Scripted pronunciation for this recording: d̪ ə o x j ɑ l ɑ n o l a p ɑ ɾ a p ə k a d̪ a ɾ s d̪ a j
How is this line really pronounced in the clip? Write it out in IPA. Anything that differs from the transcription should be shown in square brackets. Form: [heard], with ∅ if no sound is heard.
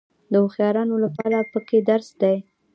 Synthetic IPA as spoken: d̪ ə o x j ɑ [ɾ] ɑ n o l a p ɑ ɾ a p ə k [e] d̪ a ɾ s d̪ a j